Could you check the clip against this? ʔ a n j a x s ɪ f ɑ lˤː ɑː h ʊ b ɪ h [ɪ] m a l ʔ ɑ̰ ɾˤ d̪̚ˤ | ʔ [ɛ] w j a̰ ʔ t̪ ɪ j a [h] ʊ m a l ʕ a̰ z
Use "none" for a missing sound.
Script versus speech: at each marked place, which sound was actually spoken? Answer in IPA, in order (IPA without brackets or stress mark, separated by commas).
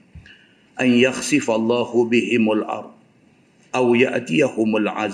ɪ, a, h